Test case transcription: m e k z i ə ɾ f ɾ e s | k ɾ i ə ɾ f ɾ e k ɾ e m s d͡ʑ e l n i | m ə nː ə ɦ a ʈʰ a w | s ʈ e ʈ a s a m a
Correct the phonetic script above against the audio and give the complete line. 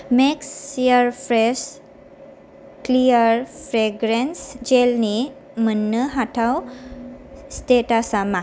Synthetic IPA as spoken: m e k s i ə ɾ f ɾ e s | k l i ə ɾ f ɾ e ɡ ɾ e n s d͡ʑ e l n i | m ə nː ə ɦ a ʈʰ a w | s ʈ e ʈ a s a m a

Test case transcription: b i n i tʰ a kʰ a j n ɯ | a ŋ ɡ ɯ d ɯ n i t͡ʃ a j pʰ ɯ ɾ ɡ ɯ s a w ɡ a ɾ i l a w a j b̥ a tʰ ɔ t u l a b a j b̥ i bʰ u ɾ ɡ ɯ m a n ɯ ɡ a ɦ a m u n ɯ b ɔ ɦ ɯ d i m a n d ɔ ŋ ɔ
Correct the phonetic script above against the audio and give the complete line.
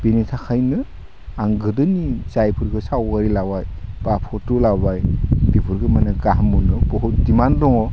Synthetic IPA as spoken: b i n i tʰ a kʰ a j n ɯ | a ŋ ɡ ɯ d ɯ n i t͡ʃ a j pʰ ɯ ɾ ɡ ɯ s a w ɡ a ɾ i l a w a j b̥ a pʰ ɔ t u l a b a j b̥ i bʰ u ɾ ɡ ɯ m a n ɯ ɡ a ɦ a m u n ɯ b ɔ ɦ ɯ d i m a n d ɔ ŋ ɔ

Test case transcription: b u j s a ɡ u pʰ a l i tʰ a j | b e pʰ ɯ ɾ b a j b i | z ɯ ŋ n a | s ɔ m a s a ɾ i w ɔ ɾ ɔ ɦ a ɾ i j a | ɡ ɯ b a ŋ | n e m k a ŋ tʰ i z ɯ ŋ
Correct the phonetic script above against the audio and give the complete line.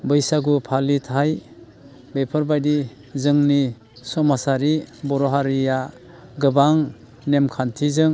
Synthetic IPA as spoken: b ɯ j s a ɡ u pʰ a l i tʰ a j | b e pʰ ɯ ɾ b a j d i | z ɯ ŋ n i | s ɔ m a s a ɾ i b ɔ ɾ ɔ ɦ a ɾ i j a | ɡ ɯ b a ŋ | n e m kʰ a n tʰ i z ɯ ŋ

